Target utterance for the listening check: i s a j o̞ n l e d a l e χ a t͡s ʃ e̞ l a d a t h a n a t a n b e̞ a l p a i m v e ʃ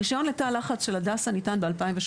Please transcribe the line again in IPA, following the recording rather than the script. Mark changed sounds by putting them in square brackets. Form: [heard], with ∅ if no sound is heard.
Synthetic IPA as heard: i [ʃ] a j o̞ n l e [t] a l [a] χ a t͡s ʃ e̞ l a d a [s] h a n [i] t a n b e̞ a l p a i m v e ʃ